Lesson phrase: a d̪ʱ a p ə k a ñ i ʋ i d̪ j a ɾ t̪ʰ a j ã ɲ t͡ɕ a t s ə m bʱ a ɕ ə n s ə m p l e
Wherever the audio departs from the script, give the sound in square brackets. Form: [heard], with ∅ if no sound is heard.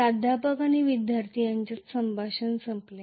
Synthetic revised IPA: a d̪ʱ a p ə k a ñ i ʋ i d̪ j a ɾ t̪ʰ [i] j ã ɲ t͡ɕ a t s ə m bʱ a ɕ ə n s ə m p l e